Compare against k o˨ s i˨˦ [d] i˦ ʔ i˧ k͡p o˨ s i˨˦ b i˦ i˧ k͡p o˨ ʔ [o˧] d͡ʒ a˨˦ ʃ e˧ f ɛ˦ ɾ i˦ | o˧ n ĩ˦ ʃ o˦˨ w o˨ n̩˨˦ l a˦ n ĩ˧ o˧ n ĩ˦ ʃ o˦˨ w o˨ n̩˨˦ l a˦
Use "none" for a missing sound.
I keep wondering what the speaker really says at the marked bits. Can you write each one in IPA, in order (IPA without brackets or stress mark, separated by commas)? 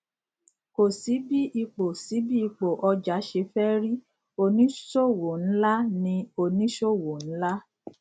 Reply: b, ɔ˧